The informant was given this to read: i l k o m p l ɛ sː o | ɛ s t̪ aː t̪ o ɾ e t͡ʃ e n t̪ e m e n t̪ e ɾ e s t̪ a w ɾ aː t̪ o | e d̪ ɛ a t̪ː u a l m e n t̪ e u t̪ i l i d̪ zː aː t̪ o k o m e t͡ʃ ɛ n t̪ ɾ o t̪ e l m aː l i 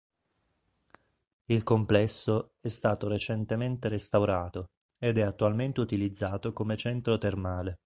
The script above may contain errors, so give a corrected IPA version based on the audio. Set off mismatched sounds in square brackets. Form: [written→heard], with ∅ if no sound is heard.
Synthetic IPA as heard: i l k o m p l ɛ sː o | ɛ s t̪ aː t̪ o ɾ e t͡ʃ e n t̪ e m e n t̪ e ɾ e s t̪ a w ɾ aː t̪ o | e d̪ ɛ a t̪ː u a l m e n t̪ e u t̪ i l i d̪ zː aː t̪ o k o m e t͡ʃ ɛ n t̪ ɾ o t̪ e [l→r] m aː l [i→e]